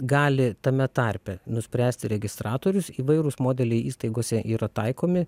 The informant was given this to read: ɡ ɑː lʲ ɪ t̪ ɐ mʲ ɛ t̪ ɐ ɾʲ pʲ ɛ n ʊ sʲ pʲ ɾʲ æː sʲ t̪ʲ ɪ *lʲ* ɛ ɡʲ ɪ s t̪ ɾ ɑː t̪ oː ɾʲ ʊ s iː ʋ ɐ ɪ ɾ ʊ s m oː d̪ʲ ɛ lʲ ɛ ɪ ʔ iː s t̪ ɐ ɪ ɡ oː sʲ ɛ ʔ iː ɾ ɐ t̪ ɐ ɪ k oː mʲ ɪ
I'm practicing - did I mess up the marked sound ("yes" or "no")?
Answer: yes